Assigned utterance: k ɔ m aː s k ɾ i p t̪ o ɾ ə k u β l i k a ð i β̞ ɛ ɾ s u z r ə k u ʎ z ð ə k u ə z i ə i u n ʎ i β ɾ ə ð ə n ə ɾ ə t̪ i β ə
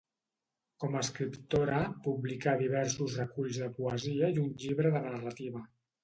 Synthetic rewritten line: k ɔ m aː s k ɾ i p t̪ o ɾ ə p u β l i k a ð i β̞ ɛ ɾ s u z r ə k u ʎ z ð ə p u ə z i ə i u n ʎ i β ɾ ə ð ə n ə r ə t̪ i β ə